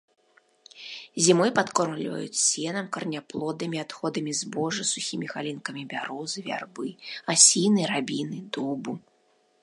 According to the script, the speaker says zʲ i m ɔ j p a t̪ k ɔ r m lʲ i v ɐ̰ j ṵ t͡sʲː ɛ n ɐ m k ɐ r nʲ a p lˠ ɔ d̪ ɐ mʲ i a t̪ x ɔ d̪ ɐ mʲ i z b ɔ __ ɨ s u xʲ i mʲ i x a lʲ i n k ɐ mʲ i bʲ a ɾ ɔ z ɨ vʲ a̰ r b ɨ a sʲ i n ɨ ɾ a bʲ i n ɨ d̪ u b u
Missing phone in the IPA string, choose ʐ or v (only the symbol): ʐ